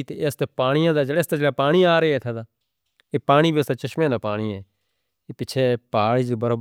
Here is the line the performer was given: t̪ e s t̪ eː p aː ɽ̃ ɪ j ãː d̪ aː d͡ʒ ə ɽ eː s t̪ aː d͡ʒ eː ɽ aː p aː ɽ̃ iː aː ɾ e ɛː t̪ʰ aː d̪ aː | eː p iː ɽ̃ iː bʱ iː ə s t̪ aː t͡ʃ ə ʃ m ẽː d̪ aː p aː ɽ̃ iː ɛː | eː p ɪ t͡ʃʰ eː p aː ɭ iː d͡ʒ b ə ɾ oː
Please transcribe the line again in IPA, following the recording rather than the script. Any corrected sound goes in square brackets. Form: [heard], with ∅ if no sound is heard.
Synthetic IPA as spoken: t̪ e s t̪ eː p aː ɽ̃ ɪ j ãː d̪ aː d͡ʒ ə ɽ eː s t̪ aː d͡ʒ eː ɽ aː p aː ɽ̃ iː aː ɾ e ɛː t̪ʰ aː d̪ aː | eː p [aː] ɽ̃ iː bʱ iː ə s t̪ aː t͡ʃ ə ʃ m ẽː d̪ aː p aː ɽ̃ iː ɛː | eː p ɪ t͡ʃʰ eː p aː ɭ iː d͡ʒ b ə ɾ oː